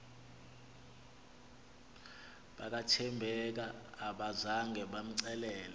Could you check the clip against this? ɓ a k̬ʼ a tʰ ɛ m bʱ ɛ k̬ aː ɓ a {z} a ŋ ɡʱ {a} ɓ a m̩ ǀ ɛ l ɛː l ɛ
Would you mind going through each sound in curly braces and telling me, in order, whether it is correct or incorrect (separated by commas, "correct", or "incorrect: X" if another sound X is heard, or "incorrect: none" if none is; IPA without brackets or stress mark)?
correct, incorrect: ɛ